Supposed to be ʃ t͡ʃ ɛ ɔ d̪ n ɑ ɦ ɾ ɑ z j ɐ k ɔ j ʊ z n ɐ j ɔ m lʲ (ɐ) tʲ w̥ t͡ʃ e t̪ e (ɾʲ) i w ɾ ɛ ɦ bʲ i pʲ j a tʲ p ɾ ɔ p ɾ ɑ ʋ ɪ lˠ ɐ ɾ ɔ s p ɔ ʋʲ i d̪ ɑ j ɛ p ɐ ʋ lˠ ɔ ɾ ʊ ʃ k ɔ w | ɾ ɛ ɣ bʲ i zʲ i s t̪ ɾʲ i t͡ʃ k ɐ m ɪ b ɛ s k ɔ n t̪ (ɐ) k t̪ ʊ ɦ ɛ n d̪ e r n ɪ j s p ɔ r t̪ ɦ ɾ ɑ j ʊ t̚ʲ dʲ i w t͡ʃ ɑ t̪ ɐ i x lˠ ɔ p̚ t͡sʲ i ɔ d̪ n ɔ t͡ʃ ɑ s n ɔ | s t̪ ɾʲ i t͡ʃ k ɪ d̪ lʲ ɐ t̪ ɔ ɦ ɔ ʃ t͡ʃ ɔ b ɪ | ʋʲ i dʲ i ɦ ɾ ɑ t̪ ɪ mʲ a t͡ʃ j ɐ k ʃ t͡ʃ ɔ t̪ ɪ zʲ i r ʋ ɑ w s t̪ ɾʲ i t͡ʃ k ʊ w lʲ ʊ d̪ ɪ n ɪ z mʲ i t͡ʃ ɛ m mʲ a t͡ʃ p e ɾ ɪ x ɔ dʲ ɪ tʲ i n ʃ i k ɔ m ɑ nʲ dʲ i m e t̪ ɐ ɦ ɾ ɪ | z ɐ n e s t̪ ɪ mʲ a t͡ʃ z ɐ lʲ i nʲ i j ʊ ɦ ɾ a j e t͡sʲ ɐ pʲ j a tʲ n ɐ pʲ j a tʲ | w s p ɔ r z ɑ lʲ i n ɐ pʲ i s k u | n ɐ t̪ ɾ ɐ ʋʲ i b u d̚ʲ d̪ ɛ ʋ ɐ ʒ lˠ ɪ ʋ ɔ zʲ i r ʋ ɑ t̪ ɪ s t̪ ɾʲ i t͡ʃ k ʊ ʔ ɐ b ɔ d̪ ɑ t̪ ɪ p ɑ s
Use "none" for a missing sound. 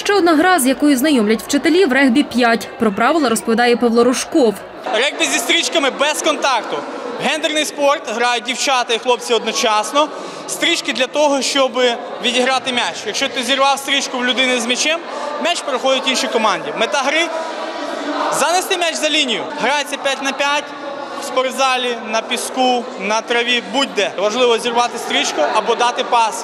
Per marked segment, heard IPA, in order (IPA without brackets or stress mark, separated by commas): ɐ, lʲ, ɑ